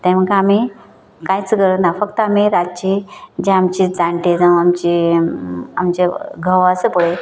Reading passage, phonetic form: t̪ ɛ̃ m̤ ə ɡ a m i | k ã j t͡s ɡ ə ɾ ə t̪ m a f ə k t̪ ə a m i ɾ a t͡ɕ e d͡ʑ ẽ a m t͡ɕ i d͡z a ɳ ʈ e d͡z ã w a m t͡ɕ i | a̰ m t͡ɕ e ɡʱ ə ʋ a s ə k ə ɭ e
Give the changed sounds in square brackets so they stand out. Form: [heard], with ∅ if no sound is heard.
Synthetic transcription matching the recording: t̪ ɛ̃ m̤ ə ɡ a m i | k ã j t͡s ɡ ə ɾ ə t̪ [n] a f ə k t̪ ə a m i ɾ a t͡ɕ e d͡ʑ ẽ a m t͡ɕ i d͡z a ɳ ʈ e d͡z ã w a m t͡ɕ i | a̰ m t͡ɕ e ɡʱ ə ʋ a s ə [p] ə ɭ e